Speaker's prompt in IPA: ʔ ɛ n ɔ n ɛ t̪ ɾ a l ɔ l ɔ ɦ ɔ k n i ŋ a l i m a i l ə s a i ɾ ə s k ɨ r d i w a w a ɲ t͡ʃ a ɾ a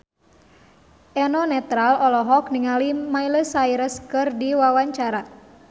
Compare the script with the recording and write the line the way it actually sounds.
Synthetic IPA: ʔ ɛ n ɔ n ɛ t̪ ɾ a l ɔ l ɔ ɦ ɔ k n i ŋ a l i m a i l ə s a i ɾ ə s k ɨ r d i w a w a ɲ t͡ʃ a ɾ a